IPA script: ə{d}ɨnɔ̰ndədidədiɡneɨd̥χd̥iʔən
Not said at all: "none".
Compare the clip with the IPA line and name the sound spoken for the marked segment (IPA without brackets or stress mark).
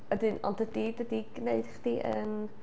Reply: d